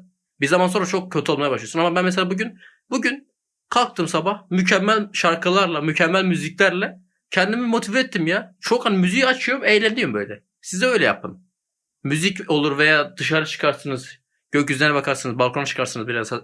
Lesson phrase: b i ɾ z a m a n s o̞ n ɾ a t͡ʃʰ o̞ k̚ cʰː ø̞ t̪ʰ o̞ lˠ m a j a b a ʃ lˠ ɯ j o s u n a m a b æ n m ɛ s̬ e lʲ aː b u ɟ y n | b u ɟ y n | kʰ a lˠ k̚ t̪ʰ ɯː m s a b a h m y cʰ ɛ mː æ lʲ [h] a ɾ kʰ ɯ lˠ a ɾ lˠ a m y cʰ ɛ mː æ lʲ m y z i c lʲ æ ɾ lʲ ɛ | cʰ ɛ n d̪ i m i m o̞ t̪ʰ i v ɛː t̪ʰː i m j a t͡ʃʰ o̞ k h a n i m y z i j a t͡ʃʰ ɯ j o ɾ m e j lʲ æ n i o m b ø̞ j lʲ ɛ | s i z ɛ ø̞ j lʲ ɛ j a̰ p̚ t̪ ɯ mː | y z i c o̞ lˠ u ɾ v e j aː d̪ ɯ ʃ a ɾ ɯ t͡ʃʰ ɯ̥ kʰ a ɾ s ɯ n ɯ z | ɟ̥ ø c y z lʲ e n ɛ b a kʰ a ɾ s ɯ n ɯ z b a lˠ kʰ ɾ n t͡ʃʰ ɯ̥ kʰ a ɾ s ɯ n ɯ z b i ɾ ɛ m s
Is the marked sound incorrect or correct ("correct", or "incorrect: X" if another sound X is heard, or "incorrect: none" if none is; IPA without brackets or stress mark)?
incorrect: ʃ